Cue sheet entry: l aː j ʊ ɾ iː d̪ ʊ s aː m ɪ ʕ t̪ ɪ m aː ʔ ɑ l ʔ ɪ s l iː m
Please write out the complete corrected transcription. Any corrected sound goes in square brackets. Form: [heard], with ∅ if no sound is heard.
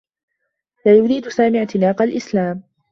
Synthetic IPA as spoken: l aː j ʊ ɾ iː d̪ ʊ s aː m ɪ ʕ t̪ ɪ [n] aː [q] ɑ l ʔ ɪ s l [aː] m